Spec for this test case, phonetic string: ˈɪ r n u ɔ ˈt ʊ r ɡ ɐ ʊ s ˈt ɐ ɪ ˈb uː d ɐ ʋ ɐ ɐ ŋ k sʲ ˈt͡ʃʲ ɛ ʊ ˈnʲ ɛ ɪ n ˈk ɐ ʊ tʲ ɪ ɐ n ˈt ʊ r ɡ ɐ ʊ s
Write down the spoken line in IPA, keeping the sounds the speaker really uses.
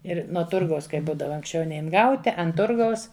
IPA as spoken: ˈɪ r n u ɔ ˈt ʊ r ɡ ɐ ʊ s ˈk ɐ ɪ ˈb uː d ɐ ʋ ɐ ɐ ŋ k sʲ ˈt͡ʃʲ ɛ ʊ ˈnʲ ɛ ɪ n ˈɡ ɐ ʊ tʲ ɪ ɐ n ˈt ʊ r ɡ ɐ ʊ s